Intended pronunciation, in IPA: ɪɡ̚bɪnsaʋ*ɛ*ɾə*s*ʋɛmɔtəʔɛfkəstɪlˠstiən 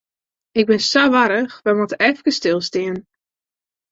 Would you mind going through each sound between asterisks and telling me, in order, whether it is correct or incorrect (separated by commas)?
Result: incorrect, incorrect